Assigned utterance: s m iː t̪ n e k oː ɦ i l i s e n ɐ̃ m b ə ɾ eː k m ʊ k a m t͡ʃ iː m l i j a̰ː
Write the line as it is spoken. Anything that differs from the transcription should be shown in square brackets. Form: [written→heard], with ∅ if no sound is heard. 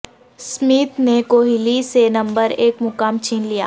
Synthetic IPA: s m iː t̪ n e k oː ɦ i l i s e n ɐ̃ m b ə ɾ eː k m ʊ k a m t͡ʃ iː [m→n] l i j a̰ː